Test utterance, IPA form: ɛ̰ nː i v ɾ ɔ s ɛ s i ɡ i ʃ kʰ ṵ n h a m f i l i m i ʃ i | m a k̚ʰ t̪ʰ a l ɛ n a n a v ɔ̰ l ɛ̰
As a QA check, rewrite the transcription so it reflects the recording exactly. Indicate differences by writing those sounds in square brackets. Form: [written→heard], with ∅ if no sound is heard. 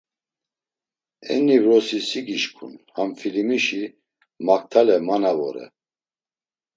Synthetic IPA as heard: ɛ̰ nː i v ɾ ɔ s [ɛ→i] s i ɡ i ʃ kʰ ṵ n h a m f i l i m i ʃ i | m a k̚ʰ t̪ʰ a l ɛ [n→m] a n a v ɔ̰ [l→ɾ] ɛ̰

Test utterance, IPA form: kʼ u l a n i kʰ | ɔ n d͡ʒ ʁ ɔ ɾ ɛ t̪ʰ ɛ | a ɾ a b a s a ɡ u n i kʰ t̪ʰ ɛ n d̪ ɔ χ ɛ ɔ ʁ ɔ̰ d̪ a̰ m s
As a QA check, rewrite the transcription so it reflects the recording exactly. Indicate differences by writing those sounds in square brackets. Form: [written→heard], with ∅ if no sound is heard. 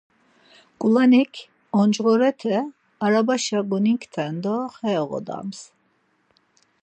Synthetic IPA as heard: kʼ u l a n i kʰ | ɔ n d͡ʒ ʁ ɔ ɾ ɛ t̪ʰ ɛ | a ɾ a b a [s→ʃ] a ɡ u n i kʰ t̪ʰ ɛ n d̪ ɔ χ ɛ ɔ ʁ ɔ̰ d̪ a̰ m s

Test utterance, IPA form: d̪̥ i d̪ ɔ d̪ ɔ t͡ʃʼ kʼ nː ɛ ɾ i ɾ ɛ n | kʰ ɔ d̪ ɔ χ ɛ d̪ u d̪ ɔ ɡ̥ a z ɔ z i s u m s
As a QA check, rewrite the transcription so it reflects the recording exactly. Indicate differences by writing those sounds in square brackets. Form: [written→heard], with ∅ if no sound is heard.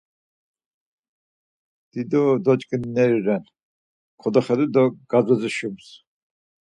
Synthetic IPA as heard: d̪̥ i d̪ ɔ d̪ ɔ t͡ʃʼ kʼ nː ɛ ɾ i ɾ ɛ n | kʰ ɔ d̪ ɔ χ ɛ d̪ u d̪ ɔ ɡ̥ a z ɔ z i [s→ʃ] u m s

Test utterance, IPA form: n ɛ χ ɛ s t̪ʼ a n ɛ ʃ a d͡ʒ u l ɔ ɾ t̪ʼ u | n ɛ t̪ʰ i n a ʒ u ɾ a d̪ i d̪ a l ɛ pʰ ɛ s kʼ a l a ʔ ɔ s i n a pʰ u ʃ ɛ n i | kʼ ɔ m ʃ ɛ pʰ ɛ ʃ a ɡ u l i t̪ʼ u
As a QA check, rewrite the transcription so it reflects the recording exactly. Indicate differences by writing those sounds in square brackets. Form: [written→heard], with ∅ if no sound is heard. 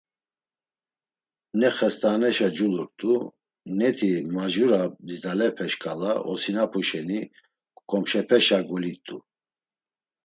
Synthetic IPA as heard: n ɛ χ ɛ s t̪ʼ a n ɛ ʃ a d͡ʒ u l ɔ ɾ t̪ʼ u | n ɛ t̪ʰ i [n→m] a ʒ u ɾ a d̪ i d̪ a l ɛ pʰ ɛ [s→ʃ] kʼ a l a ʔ ɔ s i n a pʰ u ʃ ɛ n i | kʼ ɔ m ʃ ɛ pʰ ɛ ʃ a ɡ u l i t̪ʼ u

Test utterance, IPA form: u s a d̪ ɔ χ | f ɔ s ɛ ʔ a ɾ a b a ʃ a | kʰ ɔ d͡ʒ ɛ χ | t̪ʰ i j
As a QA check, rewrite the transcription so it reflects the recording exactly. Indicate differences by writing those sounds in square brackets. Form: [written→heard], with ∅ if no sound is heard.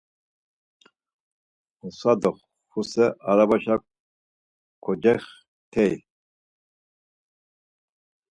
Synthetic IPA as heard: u s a d̪ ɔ χ | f [ɔ→u] s ɛ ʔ a ɾ a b a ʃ a | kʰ ɔ d͡ʒ ɛ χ | t̪ʰ [i→ɛ] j

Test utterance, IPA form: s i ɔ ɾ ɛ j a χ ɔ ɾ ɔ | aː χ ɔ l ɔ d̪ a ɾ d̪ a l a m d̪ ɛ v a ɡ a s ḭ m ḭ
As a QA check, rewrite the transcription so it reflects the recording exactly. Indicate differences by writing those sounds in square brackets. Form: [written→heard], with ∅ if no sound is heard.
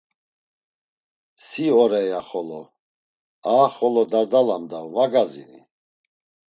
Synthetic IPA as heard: s i ɔ ɾ ɛ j a χ ɔ [ɾ→l] ɔ | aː χ ɔ l ɔ d̪ a ɾ d̪ a l a m d̪ [ɛ→a] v a ɡ a [s→z] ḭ [m→n] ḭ

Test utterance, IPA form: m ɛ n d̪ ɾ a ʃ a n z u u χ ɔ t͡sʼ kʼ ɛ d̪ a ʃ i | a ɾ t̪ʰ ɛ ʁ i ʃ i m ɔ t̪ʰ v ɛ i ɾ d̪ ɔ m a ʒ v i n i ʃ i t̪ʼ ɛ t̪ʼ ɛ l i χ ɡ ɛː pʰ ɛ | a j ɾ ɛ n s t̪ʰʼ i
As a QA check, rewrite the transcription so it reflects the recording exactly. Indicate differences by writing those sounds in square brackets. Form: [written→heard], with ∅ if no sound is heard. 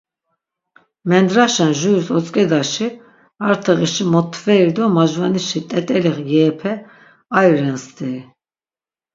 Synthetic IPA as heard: m ɛ n d̪ ɾ a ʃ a n [z→ʒ] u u [χ→s] ɔ t͡sʼ kʼ ɛ d̪ a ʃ i | a ɾ t̪ʰ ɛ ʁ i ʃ i m ɔ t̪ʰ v ɛ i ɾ d̪ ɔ m a ʒ v [i→a] n i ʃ i t̪ʼ ɛ t̪ʼ ɛ l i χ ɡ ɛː pʰ ɛ | a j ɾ ɛ n s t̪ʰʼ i

